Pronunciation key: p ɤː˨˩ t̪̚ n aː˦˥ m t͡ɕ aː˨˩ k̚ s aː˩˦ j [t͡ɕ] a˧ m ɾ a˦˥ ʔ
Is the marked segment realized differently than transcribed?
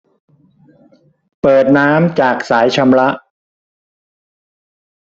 yes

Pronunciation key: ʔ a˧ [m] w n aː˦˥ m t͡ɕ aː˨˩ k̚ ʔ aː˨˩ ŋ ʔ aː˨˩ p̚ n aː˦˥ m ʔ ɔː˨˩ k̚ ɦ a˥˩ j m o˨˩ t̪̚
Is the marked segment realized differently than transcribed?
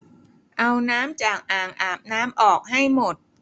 yes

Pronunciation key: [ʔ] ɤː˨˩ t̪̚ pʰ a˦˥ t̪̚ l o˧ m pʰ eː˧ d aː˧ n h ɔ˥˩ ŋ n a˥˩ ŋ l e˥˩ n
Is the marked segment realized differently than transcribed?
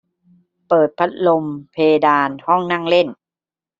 yes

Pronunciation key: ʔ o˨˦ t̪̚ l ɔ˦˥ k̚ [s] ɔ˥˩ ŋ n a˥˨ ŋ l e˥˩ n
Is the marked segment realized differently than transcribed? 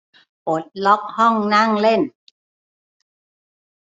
yes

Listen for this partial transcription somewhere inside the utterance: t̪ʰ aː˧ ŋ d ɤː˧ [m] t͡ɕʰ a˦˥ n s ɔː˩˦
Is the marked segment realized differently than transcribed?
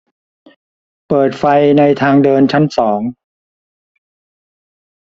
yes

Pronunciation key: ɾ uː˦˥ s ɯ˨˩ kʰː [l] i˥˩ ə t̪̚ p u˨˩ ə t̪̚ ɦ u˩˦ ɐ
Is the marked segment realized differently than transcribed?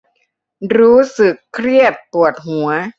yes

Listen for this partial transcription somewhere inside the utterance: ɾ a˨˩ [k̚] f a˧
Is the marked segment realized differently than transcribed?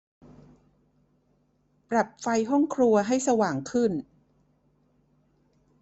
yes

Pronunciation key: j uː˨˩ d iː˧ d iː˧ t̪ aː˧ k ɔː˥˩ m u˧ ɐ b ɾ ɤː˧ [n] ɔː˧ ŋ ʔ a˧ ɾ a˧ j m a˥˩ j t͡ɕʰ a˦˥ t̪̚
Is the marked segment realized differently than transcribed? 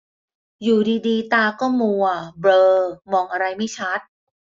yes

